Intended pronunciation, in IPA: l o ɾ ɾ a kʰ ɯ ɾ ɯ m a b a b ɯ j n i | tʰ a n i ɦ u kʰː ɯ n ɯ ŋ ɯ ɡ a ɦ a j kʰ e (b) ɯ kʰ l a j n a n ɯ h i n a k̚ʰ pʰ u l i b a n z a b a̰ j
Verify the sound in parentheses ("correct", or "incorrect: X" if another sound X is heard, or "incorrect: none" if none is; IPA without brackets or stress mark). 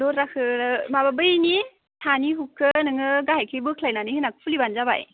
correct